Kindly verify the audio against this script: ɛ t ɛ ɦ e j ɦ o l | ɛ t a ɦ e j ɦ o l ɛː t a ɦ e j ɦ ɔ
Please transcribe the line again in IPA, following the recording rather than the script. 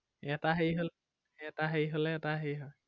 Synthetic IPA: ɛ t a ɦ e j ɦ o l | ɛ t a ɦ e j ɦ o l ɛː t a ɦ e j ɦ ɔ